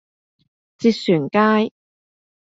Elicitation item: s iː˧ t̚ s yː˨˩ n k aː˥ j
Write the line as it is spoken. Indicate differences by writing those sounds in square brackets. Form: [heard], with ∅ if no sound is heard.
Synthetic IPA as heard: [t͡s] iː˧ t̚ s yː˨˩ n k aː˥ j